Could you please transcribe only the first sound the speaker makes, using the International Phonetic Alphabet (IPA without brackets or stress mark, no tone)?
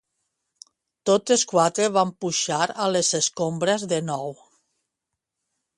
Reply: t̪